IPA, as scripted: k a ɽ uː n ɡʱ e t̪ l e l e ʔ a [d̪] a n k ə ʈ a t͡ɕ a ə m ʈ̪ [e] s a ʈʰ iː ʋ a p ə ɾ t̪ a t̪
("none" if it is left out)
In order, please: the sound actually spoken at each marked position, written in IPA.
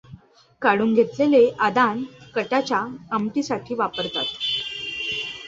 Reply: d̪, i

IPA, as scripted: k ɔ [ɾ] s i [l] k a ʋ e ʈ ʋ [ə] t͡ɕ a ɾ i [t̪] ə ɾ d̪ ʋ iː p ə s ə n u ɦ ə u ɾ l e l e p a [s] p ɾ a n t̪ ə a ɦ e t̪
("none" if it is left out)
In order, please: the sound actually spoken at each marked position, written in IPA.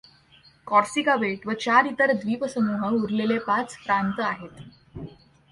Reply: ɾ, none, ə, t̪, t͡s

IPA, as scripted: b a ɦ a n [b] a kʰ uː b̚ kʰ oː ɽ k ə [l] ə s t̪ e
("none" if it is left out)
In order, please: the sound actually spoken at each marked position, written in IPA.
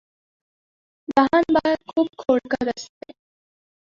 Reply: b, ɾ

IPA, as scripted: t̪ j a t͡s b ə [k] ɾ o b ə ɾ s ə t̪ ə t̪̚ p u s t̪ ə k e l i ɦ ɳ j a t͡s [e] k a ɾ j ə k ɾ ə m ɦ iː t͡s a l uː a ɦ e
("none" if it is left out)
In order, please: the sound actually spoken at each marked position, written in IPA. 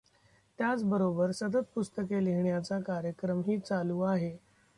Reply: none, a

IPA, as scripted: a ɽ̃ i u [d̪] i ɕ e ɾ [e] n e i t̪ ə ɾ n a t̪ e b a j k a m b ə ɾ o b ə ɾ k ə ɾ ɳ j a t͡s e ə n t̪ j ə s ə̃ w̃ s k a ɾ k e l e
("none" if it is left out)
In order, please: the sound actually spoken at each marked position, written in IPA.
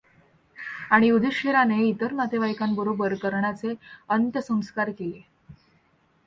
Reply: d̪, a

